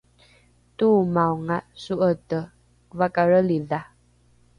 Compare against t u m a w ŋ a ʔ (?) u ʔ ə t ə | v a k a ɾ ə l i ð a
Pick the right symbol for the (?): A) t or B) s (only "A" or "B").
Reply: B